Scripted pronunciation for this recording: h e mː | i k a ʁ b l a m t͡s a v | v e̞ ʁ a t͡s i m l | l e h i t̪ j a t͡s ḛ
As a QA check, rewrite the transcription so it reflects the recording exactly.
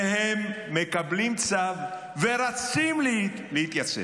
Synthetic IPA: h e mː | e k a b l i m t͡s a v | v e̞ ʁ a t͡s i m l | l e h i t̪ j a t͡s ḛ